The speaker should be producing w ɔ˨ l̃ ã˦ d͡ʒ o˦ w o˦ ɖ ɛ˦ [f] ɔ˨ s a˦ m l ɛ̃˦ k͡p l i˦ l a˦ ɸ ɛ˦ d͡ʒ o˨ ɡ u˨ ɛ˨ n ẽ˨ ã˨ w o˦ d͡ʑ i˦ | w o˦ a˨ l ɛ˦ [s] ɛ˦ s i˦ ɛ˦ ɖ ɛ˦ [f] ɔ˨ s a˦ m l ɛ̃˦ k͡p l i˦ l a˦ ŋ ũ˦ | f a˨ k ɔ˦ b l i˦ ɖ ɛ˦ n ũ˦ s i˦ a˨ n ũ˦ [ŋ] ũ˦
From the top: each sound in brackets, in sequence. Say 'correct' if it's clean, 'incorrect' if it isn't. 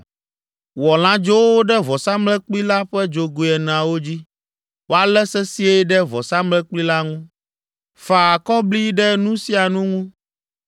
incorrect: v, correct, incorrect: v, correct

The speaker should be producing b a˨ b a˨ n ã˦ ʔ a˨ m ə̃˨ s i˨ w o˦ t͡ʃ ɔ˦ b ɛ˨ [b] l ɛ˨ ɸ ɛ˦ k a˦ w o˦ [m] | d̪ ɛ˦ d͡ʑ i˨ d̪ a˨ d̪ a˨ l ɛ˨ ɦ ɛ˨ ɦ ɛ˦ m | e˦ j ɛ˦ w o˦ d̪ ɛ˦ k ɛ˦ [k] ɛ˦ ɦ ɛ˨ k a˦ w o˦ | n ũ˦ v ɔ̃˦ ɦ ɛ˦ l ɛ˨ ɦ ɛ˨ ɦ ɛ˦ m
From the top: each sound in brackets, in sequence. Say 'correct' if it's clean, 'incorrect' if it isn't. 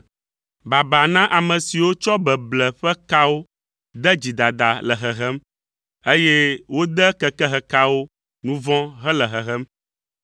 correct, incorrect: none, correct

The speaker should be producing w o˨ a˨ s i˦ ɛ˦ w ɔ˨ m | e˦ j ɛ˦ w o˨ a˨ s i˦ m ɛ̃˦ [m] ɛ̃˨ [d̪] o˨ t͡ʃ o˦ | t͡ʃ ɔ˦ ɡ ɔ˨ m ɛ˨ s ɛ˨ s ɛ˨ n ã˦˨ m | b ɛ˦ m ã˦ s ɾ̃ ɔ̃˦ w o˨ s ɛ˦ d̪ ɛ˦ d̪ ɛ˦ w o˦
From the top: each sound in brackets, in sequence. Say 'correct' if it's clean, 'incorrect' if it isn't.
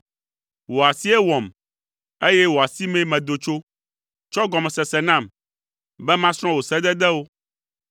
correct, correct

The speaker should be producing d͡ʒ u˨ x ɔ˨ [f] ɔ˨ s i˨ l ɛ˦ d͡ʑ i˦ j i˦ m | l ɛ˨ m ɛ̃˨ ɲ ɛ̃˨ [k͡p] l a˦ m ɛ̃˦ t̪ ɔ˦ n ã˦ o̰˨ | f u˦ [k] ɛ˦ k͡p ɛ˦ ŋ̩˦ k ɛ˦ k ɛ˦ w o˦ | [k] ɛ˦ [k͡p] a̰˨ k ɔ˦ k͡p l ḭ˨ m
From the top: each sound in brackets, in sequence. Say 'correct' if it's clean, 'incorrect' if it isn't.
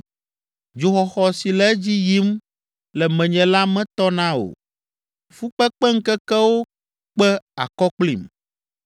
incorrect: x, incorrect: none, incorrect: k͡p, incorrect: k͡p, incorrect: none

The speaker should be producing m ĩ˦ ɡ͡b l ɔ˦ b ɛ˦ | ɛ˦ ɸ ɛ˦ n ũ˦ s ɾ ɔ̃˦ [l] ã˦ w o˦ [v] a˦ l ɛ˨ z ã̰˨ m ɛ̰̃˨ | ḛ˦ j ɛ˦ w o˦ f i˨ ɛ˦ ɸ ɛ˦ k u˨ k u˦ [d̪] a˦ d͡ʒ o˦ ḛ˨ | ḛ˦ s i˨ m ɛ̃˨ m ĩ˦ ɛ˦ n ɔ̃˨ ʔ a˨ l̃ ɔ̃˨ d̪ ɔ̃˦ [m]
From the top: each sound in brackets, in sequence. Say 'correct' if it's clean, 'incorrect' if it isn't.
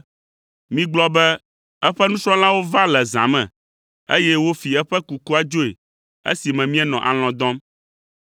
correct, correct, incorrect: none, correct

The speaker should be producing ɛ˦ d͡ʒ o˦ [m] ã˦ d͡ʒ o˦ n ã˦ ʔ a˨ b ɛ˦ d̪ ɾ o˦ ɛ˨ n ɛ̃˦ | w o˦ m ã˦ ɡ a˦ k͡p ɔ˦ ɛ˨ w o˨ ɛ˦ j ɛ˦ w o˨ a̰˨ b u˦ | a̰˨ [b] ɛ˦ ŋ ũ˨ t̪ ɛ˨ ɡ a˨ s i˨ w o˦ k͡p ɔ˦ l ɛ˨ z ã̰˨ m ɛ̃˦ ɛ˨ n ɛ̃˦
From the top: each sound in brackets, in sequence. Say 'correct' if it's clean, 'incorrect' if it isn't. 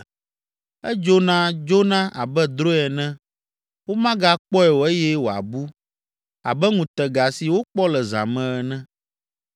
incorrect: n, correct

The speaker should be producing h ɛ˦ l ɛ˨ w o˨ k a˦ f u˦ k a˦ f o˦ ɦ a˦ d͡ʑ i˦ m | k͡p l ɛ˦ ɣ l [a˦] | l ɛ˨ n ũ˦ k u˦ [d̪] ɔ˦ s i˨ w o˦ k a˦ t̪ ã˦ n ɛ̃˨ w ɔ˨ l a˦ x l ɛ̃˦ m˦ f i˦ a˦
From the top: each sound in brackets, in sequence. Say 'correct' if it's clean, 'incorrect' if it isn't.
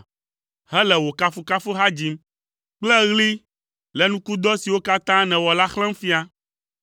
incorrect: i˦, correct

